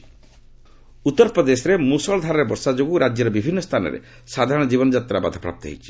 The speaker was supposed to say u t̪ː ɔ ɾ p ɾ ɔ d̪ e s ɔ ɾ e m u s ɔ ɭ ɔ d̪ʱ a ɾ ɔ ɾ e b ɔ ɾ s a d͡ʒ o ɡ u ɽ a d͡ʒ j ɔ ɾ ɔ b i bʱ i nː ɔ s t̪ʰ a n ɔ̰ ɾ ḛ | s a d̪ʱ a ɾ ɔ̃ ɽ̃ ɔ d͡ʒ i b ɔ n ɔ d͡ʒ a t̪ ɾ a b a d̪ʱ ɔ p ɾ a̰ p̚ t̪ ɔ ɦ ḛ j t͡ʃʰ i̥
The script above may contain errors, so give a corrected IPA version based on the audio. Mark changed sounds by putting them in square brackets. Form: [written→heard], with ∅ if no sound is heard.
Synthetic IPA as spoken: u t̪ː ɔ ɾ p ɾ ɔ d̪ e s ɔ ɾ e m u s ɔ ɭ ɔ d̪ʱ a ɾ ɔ ɾ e b ɔ ɾ s a d͡ʒ o ɡ u [ɽ→ɾ] a d͡ʒ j ɔ ɾ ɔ b i bʱ i nː ɔ s t̪ʰ a n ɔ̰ ɾ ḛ | s a d̪ʱ a ɾ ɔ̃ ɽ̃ ɔ d͡ʒ i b ɔ n ɔ d͡ʒ a t̪ ɾ a b a d̪ʱ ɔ p ɾ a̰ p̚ t̪ ɔ ɦ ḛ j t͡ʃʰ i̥